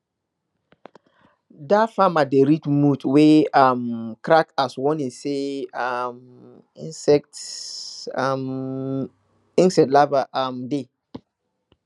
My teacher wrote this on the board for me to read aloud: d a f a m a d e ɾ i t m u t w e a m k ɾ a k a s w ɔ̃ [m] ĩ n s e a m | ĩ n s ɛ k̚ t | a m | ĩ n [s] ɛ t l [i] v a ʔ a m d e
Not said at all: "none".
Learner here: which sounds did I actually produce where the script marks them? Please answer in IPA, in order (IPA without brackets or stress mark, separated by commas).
n, s, a